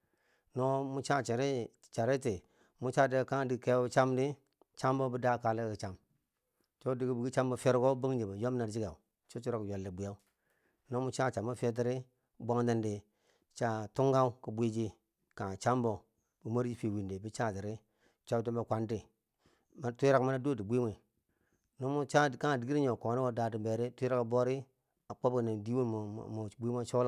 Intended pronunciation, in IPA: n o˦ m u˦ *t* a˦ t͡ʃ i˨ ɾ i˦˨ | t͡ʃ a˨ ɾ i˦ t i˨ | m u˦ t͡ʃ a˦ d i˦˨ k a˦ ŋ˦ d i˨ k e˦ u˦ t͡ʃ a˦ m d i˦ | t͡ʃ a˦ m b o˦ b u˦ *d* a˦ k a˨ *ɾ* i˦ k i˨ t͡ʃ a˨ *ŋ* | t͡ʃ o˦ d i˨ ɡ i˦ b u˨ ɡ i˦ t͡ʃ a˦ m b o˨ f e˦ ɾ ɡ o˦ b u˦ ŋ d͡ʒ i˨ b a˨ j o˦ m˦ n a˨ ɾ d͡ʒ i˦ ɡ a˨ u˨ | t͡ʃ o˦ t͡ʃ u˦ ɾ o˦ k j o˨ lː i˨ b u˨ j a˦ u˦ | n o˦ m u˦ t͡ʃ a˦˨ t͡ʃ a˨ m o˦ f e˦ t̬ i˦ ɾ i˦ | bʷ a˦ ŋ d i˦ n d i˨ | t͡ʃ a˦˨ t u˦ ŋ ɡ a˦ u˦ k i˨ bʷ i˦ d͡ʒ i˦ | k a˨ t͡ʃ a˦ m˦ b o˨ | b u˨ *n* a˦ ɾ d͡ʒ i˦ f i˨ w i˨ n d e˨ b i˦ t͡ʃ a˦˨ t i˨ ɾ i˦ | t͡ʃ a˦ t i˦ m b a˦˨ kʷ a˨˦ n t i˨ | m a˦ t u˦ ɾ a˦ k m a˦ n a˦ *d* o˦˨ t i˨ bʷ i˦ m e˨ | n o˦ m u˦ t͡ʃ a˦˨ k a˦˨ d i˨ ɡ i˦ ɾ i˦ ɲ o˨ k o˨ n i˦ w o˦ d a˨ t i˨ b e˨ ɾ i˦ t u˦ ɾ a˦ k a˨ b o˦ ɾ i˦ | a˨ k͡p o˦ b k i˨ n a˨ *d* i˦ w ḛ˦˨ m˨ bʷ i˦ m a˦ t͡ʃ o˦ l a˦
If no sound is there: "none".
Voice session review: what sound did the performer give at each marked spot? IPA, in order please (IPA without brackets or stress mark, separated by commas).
t͡ʃ, d, l, m, m, d, d